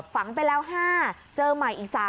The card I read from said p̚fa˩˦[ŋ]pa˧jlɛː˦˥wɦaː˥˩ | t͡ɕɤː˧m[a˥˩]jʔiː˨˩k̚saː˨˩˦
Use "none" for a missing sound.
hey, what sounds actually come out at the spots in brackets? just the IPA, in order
ŋ, a˨˩

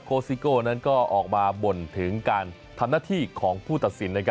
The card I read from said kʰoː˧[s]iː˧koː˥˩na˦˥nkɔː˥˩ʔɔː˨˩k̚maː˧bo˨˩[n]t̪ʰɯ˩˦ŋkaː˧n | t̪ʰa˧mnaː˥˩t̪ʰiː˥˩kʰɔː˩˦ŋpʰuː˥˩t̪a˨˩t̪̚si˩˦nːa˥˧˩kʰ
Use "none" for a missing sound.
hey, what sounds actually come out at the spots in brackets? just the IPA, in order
s, n

